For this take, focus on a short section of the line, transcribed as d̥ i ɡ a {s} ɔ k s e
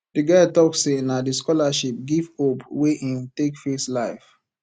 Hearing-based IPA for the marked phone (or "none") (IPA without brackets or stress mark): t